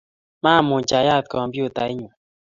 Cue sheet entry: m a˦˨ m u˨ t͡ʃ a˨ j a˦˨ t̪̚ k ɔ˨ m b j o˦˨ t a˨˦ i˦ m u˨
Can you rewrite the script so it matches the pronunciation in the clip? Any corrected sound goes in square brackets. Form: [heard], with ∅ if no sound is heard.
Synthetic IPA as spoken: m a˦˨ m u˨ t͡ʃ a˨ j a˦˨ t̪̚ k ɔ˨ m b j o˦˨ t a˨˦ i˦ [ɲ] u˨

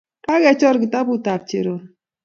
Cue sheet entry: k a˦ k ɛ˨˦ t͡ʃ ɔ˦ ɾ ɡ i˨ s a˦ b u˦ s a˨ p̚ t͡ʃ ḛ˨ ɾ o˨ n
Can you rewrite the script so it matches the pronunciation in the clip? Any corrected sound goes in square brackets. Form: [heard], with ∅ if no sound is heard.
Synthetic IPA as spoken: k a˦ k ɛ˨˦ t͡ʃ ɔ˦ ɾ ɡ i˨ [t] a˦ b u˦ [t] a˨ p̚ t͡ʃ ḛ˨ ɾ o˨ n

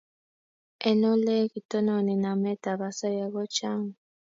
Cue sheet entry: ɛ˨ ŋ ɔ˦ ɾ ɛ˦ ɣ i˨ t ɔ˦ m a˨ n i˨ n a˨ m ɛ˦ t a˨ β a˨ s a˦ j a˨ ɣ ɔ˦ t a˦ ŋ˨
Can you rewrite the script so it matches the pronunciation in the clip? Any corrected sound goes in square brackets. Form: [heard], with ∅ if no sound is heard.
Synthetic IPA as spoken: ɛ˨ [n] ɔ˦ [l] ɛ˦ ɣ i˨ t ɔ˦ [n] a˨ n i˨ n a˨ m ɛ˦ t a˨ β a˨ s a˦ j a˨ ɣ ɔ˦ [t͡ʃ] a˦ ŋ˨

